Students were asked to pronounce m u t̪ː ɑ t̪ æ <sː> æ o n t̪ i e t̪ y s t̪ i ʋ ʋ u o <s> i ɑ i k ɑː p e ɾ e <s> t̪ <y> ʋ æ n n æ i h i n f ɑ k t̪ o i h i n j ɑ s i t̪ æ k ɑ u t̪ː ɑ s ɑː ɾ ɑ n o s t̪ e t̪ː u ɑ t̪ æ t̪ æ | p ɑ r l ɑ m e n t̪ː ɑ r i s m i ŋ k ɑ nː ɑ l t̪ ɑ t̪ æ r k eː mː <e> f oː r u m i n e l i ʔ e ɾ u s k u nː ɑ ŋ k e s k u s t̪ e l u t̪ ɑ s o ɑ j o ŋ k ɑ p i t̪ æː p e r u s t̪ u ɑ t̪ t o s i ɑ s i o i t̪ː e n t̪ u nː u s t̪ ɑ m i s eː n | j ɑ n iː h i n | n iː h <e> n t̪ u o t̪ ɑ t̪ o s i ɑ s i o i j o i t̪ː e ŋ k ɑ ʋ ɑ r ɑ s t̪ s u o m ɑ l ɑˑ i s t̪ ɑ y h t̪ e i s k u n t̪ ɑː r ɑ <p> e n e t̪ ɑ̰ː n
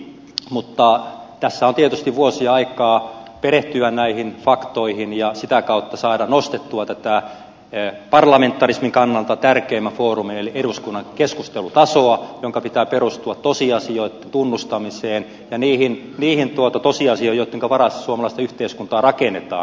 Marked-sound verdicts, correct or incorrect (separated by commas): correct, correct, incorrect, correct, incorrect, incorrect, incorrect